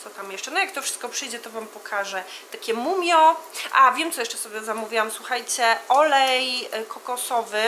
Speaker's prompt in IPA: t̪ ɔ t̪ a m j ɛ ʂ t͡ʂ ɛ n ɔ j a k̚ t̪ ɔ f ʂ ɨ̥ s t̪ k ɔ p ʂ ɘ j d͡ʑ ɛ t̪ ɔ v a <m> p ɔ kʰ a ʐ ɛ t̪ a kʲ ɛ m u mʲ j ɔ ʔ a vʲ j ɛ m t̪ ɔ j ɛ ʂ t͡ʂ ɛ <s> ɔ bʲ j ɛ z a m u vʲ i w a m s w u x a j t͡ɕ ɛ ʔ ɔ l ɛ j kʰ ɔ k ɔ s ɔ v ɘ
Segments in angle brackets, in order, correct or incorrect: correct, correct

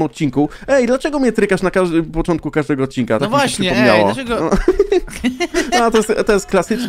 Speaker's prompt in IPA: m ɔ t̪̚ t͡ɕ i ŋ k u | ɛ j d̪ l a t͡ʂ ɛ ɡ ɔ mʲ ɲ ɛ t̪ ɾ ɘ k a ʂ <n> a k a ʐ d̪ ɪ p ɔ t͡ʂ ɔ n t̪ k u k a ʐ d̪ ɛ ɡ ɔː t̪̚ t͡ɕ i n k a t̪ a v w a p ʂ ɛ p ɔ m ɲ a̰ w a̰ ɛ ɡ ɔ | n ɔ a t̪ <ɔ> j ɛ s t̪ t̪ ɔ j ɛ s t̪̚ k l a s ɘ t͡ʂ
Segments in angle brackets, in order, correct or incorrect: correct, correct

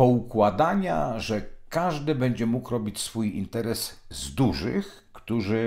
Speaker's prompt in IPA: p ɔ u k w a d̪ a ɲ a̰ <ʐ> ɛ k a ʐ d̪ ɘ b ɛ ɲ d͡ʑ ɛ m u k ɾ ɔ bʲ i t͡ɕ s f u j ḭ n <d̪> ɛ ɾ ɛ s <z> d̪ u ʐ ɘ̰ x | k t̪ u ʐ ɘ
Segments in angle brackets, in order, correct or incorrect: correct, incorrect, correct

